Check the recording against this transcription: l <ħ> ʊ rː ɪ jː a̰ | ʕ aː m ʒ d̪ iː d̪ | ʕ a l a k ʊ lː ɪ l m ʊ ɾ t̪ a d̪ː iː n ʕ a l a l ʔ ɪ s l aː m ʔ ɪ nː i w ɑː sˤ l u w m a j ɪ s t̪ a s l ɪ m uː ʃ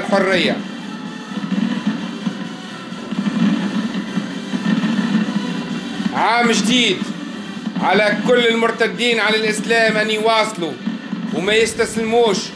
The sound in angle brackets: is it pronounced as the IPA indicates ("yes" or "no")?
yes